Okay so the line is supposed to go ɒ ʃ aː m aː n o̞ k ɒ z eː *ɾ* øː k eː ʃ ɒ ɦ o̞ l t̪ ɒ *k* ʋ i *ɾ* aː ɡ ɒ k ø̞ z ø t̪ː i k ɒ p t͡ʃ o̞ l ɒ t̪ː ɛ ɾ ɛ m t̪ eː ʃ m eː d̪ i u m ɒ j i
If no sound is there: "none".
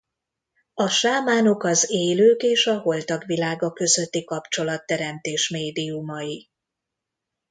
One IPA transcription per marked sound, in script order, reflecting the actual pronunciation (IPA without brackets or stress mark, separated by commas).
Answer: l, ɡ, l